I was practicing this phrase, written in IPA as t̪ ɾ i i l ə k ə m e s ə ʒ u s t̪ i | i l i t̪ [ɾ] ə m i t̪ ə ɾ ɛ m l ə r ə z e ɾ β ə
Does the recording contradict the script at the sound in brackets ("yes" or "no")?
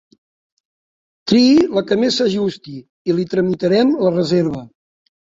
no